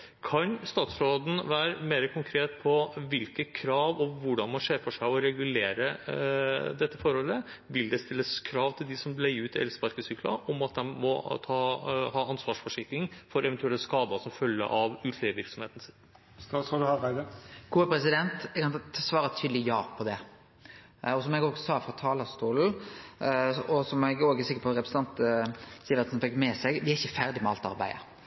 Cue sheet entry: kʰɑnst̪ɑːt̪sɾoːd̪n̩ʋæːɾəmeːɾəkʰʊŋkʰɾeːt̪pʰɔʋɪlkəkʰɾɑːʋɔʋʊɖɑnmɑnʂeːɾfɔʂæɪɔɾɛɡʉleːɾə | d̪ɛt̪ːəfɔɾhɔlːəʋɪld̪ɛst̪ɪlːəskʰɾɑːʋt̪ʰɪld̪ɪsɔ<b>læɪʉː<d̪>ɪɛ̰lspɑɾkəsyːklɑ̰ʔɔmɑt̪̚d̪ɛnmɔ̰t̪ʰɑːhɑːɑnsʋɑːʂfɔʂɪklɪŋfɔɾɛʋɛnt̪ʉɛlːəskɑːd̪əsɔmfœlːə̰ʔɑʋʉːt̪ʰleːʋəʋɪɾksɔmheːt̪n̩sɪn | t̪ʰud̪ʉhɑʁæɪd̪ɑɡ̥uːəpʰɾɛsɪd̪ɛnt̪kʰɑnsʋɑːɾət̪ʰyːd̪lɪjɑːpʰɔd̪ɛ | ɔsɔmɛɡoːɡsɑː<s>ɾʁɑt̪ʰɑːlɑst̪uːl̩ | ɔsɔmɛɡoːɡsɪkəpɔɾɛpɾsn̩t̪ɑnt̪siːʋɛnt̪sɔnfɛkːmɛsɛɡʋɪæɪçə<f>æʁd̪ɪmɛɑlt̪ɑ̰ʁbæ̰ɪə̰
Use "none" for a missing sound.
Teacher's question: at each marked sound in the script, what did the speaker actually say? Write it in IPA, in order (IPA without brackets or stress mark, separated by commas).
m, t̪, f, f